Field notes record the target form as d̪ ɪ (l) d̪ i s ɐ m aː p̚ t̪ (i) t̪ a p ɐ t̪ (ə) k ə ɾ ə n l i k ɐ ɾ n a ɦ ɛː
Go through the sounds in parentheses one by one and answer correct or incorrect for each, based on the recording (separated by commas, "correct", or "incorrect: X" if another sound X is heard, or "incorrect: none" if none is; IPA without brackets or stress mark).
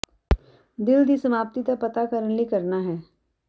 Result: correct, correct, incorrect: a